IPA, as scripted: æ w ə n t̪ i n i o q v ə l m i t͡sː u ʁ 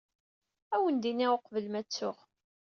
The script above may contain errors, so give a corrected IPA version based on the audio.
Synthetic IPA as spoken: æ w ə n d̪ i n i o q v ə l m æ t͡sː ʊ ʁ